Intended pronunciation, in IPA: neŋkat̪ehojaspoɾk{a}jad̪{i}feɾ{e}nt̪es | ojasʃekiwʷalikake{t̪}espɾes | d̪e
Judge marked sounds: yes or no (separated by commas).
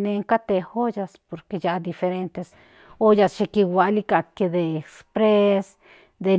no, yes, yes, no